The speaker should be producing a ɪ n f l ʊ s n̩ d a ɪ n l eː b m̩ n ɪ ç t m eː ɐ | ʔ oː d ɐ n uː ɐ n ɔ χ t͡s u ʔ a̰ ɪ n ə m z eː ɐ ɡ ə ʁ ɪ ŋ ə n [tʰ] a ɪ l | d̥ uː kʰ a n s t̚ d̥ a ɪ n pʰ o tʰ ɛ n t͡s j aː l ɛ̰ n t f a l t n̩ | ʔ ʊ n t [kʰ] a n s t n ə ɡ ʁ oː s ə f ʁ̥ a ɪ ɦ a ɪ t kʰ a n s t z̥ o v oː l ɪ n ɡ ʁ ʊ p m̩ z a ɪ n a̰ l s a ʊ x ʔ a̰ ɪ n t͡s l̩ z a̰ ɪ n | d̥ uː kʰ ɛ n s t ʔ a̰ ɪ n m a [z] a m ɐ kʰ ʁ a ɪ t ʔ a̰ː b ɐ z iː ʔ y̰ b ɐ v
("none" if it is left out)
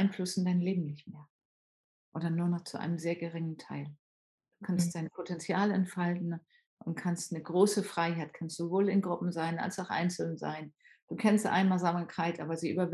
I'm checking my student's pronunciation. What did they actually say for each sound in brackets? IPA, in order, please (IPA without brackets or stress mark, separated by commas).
tʰ, kʰ, z